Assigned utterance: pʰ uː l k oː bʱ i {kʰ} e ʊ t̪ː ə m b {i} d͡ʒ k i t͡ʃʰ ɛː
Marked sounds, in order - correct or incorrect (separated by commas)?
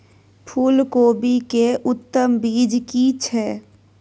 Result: incorrect, incorrect